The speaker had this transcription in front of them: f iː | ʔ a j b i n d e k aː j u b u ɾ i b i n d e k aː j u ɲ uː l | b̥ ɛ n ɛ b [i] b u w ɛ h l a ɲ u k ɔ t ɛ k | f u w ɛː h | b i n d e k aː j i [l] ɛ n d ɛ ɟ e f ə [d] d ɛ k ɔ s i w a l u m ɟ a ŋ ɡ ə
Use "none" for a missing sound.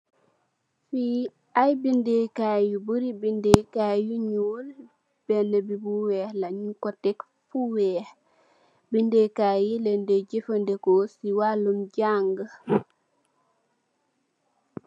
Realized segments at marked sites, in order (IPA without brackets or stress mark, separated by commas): i, l, n